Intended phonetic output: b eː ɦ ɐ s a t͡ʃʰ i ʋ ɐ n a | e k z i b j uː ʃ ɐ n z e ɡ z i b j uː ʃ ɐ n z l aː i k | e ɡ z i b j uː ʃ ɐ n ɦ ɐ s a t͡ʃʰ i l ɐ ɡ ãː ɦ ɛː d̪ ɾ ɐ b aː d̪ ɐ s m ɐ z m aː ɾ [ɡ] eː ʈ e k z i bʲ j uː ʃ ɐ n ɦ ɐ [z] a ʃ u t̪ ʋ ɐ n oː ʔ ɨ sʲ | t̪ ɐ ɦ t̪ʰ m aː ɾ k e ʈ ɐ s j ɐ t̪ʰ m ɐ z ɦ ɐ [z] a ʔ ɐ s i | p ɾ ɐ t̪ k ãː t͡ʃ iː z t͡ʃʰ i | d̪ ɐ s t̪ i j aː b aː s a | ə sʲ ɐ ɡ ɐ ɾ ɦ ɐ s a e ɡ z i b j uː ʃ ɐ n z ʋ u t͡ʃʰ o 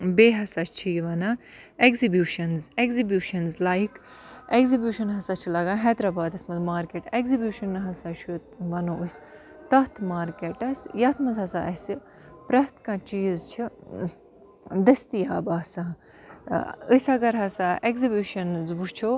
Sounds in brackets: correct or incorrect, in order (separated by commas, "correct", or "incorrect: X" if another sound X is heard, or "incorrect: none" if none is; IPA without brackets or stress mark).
incorrect: k, incorrect: s, incorrect: s